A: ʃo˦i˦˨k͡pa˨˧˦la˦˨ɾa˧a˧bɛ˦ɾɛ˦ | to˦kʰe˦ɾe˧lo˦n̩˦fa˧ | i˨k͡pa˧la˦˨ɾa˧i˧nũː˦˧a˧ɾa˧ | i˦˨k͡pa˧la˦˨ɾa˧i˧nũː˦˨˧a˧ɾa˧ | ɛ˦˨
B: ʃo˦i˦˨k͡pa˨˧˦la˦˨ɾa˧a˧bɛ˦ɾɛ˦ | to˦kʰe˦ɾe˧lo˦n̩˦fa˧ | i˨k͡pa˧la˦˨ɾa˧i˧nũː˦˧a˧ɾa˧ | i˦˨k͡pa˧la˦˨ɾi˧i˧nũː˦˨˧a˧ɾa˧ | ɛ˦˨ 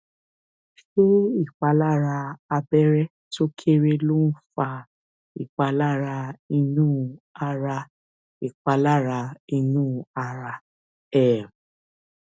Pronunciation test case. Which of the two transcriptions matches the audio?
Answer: A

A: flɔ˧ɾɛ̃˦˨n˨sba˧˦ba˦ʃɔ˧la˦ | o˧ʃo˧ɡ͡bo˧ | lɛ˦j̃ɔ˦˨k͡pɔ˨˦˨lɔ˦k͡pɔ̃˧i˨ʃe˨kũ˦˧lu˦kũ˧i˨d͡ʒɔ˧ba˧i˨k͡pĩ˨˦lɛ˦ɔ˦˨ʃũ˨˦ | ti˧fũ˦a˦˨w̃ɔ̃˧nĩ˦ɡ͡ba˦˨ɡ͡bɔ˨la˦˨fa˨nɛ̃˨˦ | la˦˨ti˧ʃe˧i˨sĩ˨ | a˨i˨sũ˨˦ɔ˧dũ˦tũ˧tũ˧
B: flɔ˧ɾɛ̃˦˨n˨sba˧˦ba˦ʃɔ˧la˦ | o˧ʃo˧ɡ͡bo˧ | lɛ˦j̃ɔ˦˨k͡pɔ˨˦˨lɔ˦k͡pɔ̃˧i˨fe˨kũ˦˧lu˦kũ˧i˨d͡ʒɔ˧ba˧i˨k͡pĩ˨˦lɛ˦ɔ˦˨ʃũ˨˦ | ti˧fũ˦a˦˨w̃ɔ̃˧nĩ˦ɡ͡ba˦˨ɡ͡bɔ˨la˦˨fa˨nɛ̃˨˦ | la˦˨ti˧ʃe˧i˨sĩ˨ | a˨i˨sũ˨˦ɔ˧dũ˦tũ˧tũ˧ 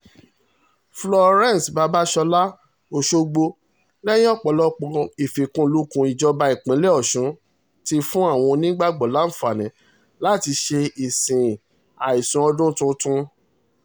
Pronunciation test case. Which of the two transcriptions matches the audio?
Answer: B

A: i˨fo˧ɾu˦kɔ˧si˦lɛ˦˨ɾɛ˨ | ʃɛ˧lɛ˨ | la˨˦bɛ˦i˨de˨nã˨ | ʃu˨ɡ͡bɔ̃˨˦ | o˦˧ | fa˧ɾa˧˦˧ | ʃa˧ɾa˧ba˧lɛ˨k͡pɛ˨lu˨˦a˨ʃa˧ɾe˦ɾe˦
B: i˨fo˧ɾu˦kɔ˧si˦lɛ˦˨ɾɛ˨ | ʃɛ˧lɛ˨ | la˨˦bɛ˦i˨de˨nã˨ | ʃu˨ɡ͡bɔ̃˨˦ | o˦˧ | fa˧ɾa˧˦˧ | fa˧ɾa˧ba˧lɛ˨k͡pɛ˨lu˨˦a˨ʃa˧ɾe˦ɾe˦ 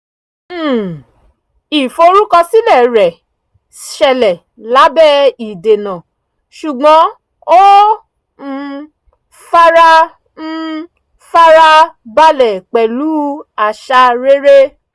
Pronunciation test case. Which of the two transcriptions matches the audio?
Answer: B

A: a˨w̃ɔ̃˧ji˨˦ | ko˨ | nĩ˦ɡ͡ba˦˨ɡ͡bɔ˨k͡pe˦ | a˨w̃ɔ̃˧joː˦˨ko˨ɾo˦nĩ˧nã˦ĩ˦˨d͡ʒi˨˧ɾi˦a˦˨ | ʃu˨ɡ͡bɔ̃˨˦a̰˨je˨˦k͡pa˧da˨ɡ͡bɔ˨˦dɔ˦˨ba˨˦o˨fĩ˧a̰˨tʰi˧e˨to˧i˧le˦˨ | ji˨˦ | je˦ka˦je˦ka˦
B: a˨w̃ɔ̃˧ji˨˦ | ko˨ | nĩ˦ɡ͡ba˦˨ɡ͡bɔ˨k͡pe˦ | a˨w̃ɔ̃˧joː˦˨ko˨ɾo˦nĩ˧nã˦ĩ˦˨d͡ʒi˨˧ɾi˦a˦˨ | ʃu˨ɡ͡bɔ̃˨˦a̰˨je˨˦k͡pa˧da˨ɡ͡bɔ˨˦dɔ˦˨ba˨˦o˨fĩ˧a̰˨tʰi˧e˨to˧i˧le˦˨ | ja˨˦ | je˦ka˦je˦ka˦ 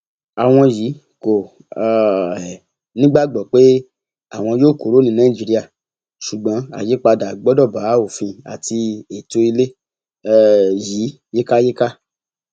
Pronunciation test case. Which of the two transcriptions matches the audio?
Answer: A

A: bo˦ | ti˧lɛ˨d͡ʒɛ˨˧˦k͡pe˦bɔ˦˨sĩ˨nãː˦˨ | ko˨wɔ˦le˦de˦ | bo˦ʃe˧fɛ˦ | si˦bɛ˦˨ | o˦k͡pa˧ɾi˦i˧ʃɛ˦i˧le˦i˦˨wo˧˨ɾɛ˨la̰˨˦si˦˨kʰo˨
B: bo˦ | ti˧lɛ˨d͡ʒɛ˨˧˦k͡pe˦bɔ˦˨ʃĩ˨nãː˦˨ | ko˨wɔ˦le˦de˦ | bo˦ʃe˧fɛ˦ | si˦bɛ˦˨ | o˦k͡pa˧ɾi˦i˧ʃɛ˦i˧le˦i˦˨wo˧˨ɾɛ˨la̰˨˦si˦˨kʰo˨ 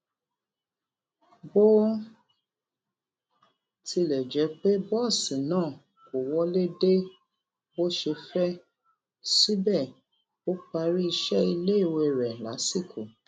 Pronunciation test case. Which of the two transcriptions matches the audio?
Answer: A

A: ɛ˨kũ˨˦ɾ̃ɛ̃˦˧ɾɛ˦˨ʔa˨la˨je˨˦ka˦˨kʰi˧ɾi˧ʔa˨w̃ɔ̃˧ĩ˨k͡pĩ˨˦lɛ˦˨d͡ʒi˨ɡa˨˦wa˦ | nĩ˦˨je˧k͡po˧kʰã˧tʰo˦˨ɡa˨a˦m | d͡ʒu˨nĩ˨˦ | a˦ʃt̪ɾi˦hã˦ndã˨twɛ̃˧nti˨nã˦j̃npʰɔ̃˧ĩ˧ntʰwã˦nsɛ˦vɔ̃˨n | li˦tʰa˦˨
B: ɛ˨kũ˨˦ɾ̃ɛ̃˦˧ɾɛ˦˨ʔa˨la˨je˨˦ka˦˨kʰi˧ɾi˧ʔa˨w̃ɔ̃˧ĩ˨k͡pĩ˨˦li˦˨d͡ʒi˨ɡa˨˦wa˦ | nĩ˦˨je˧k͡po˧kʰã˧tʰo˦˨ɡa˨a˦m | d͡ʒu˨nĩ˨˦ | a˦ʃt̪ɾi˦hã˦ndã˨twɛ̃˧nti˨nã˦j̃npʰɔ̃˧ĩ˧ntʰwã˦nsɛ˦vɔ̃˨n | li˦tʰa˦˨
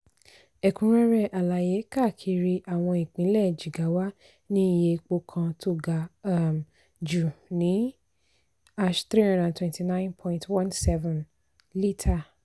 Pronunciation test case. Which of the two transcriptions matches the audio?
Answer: A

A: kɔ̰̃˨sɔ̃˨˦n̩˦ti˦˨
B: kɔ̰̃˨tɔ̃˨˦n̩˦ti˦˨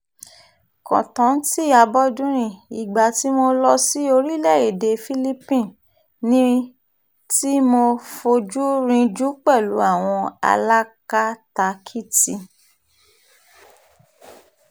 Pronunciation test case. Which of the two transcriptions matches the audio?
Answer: B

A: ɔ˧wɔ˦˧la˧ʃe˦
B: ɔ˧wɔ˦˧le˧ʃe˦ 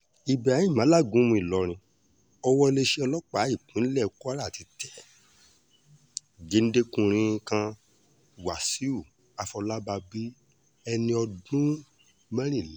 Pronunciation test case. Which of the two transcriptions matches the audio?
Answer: B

